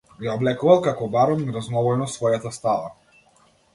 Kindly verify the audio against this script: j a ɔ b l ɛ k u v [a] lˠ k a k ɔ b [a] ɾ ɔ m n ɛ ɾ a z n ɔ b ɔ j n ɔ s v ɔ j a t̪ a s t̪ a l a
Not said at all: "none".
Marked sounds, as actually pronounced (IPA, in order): a, a

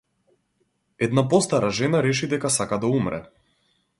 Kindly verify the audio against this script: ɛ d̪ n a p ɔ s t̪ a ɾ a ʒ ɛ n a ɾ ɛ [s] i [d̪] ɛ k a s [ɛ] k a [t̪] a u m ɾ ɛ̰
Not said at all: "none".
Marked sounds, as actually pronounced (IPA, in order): ʃ, d̪, a, d̪

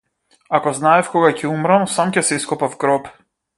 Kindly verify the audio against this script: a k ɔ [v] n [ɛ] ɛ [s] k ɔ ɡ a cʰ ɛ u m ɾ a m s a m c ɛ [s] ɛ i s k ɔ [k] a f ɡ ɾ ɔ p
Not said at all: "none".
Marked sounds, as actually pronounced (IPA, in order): z, a, f, s, p

